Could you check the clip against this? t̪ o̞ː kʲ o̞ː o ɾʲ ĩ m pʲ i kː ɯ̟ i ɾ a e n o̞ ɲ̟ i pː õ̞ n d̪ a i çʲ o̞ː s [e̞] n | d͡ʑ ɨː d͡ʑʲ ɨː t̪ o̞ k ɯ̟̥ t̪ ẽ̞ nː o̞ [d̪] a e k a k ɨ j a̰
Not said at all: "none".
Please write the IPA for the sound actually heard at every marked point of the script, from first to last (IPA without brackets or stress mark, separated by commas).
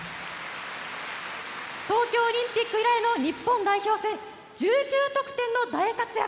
ẽ̞, d̪